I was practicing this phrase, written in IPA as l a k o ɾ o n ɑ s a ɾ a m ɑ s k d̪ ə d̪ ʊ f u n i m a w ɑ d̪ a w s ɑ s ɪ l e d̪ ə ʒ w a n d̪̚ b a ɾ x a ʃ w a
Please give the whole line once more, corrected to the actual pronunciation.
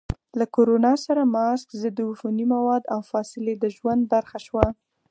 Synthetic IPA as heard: l a k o ɾ o n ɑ s a ɾ a m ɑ s k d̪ ə d̪ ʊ f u n i m a w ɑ d̪ a w f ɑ s ɪ l e d̪ ə ʒ w a n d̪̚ b a ɾ x a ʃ w a